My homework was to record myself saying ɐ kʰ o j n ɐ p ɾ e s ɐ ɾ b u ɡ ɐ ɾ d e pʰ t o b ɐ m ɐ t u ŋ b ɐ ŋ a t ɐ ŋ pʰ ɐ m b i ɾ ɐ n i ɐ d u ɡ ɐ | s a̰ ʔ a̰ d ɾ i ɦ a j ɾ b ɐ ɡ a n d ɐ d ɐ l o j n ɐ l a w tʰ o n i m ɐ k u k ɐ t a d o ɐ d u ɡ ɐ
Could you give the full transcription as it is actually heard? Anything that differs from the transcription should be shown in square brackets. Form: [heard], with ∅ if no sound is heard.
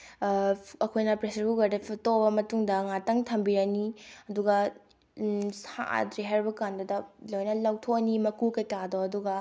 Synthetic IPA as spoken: ɐ kʰ o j n ɐ p ɾ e s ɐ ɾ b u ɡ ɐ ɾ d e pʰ t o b ɐ m ɐ t u ŋ [d] ɐ ŋ a t ɐ ŋ [tʰ] ɐ m b i ɾ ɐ n i ɐ d u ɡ ɐ | s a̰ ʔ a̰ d ɾ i ɦ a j ɾ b ɐ [k] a n d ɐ d ɐ l o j n ɐ l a w tʰ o n i m ɐ k u k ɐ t a d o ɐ d u ɡ ɐ